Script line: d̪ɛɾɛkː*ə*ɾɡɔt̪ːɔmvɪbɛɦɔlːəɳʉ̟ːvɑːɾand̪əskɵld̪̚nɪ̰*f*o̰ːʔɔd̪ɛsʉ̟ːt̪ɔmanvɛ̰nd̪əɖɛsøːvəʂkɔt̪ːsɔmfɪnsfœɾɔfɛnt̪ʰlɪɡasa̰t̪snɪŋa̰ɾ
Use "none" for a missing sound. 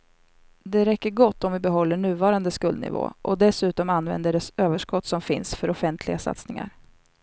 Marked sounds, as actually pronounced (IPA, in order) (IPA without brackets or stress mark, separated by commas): ə, v